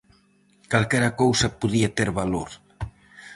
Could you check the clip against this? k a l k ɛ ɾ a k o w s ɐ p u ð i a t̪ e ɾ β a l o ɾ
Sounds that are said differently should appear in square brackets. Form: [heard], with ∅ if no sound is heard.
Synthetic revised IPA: k a l k ɛ ɾ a k o w s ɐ p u ð i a t̪ e ɾ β a l o ɾ